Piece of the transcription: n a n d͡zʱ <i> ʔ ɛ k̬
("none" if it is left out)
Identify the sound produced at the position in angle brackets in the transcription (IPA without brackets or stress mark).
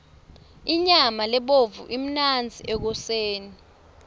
i